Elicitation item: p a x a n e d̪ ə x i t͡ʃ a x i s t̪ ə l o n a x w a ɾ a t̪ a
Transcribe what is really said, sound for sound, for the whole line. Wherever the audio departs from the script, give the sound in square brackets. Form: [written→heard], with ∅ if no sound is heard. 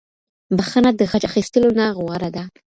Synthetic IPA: [p→b] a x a n [e→a] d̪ ə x [i→a] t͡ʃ a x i s t̪ ə l o n a [x→ɣ] w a ɾ a [t̪→d̪] a